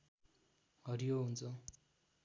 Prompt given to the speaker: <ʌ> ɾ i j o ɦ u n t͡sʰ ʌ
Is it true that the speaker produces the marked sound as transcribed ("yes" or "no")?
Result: yes